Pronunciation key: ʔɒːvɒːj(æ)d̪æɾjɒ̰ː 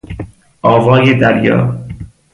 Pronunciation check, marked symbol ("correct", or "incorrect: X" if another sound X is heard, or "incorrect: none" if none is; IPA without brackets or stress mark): incorrect: e